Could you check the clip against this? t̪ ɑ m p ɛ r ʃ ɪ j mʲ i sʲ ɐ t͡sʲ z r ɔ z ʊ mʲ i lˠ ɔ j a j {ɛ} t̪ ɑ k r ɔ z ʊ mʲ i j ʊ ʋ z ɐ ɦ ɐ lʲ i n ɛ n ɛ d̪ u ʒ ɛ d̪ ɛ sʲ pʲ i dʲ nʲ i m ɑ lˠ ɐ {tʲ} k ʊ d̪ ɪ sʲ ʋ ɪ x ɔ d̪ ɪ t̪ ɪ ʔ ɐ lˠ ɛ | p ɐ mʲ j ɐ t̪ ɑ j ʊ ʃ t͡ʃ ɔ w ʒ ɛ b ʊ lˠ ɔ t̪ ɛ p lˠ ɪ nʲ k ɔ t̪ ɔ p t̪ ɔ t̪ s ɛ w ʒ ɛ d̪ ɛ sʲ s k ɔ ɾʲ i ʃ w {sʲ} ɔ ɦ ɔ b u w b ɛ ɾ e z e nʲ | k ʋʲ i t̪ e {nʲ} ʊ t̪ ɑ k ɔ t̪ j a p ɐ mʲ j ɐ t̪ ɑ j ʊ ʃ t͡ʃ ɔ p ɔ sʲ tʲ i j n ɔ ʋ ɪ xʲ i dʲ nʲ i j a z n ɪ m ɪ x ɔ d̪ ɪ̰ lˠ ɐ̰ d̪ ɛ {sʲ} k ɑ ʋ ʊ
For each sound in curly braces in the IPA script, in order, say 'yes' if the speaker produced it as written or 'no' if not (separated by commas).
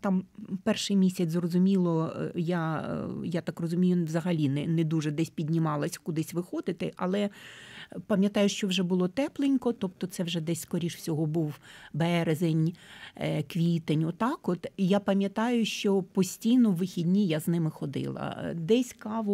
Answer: no, no, yes, yes, yes